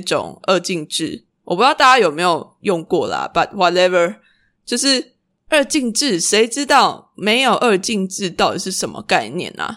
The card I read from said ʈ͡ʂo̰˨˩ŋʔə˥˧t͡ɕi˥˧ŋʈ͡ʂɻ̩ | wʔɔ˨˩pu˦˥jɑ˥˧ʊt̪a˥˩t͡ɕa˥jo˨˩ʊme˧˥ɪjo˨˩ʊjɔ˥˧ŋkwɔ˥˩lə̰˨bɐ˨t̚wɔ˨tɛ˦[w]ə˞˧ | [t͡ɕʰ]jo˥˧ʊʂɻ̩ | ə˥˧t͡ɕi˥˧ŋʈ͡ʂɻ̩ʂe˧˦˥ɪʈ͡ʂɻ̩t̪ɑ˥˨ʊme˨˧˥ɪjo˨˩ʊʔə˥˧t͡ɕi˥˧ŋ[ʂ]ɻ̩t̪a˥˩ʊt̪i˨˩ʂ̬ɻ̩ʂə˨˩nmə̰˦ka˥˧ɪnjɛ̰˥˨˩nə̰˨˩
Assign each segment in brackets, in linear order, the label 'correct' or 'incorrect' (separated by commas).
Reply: incorrect, incorrect, incorrect